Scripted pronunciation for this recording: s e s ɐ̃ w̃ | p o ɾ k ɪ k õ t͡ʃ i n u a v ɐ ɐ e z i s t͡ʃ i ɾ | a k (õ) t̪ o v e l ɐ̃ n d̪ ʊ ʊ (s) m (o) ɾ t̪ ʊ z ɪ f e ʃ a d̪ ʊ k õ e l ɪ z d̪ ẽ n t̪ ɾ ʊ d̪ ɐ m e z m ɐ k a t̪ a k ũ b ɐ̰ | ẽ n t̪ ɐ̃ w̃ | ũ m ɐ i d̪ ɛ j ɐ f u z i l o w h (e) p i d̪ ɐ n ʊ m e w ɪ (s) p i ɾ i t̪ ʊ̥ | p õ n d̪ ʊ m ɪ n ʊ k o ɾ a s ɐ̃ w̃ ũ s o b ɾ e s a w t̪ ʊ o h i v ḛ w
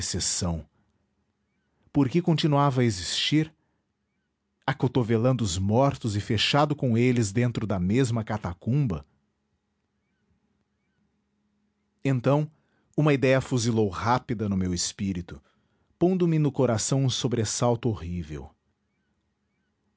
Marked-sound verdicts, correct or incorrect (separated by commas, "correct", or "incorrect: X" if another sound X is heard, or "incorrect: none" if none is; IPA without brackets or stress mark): incorrect: o, incorrect: z, incorrect: ɔ, incorrect: a, correct